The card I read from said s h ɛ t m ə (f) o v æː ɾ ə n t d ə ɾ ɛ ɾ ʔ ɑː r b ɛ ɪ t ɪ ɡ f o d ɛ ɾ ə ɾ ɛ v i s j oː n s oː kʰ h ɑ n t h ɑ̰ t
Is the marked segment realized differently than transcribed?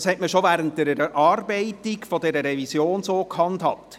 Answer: yes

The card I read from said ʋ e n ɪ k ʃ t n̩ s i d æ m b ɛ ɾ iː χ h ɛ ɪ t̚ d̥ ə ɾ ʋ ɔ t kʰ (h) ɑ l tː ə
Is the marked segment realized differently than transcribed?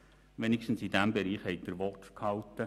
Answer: no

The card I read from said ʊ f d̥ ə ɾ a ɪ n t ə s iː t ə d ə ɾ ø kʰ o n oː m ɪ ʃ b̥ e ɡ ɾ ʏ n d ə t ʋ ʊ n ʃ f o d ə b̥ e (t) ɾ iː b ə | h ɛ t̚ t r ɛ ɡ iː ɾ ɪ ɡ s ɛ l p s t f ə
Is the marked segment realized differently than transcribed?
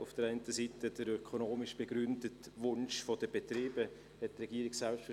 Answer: no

